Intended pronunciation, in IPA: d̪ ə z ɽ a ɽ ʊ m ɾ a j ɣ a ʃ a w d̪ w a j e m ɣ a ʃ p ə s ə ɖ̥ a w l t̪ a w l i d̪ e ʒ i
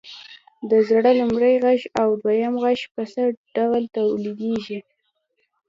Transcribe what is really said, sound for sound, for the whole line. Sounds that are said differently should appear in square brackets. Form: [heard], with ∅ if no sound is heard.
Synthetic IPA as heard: d̪ ə z ɽ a [l] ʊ m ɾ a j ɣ a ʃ a w d̪ w a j [a] m ɣ a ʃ p ə s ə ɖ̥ a w l t̪ a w l i d̪ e ʒ i